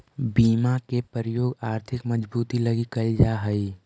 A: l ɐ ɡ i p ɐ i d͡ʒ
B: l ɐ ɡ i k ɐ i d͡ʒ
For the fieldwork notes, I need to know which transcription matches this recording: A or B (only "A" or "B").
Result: B